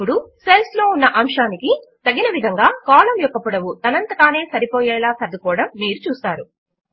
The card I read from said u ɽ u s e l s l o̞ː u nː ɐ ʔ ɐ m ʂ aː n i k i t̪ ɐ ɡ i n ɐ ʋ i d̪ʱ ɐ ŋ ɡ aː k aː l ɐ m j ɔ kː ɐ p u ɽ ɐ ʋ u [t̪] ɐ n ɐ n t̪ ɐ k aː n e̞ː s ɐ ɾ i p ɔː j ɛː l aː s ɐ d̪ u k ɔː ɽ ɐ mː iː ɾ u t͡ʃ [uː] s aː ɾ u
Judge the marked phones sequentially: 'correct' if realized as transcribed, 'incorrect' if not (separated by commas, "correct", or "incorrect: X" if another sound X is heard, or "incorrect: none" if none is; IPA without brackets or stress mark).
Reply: correct, correct